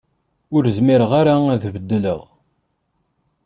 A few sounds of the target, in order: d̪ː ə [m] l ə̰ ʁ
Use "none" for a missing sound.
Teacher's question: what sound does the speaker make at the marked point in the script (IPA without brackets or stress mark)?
none